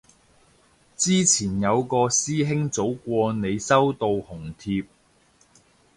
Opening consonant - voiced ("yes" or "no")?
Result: no